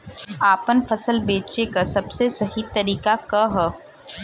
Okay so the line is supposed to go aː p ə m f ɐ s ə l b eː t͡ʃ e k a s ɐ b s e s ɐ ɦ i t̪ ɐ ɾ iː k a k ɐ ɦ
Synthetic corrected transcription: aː p ə n f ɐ s ə l b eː t͡ʃ e k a s ɐ b s e s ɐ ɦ i t̪ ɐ ɾ iː k a k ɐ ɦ